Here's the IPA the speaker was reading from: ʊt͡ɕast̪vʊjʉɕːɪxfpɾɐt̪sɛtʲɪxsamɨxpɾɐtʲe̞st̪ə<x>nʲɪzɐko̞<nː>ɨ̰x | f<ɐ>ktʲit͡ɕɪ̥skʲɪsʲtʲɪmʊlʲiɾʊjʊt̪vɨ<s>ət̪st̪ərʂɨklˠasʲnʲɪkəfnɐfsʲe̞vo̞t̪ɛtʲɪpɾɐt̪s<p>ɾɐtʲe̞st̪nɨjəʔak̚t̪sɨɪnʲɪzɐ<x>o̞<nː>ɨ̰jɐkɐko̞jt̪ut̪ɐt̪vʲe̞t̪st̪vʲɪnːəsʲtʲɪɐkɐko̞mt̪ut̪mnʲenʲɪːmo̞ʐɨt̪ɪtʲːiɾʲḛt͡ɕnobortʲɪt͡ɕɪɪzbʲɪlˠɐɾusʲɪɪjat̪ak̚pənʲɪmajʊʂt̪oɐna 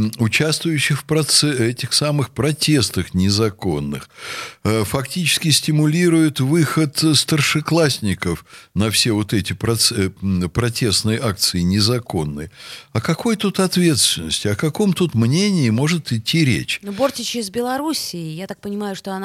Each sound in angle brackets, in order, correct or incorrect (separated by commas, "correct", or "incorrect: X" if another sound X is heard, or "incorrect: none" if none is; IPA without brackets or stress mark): correct, correct, correct, incorrect: x, correct, incorrect: k, correct